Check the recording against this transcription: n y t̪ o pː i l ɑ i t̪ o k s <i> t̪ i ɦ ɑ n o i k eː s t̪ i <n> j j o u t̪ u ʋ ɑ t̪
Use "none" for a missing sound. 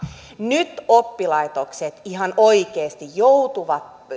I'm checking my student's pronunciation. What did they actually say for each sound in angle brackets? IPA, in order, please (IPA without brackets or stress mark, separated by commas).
e, none